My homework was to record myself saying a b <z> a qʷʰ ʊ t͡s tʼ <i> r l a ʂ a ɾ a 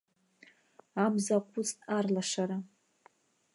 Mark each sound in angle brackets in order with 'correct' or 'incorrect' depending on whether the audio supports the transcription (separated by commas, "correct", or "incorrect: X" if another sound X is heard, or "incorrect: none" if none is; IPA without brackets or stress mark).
correct, incorrect: a